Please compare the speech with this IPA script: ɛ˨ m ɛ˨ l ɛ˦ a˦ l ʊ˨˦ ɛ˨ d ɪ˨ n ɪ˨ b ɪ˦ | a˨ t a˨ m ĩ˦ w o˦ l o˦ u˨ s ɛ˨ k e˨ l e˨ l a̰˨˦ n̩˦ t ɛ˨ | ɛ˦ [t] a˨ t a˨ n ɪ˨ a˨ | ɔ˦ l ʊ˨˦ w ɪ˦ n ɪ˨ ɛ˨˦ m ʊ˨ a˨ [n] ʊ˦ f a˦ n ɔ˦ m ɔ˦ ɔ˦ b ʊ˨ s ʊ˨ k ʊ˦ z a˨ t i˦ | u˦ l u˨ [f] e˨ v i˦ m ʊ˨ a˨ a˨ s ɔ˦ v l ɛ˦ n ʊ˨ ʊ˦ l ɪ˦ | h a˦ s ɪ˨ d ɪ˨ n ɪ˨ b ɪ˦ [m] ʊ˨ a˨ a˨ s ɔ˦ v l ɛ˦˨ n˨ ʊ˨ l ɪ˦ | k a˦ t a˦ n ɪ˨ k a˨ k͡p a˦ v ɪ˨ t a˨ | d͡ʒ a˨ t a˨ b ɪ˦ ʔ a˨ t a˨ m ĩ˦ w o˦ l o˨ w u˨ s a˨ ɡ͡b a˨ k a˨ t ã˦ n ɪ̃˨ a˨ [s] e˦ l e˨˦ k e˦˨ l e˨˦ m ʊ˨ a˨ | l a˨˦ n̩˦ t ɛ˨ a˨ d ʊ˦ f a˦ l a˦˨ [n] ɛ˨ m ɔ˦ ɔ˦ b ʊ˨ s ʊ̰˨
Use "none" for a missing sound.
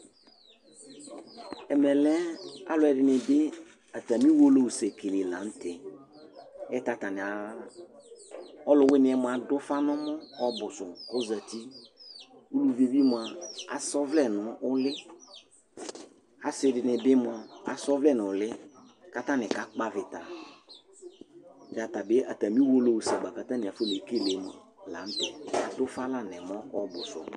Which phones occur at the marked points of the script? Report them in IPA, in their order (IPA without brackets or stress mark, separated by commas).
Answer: t, d, v, m, f, n